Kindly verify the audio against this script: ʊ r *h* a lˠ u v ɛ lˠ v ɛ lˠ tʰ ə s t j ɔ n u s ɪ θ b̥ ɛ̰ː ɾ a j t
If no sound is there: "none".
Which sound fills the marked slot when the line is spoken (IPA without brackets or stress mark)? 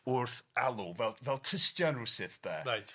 θ